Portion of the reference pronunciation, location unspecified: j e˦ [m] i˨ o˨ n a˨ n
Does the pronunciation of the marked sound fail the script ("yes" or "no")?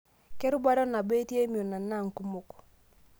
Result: no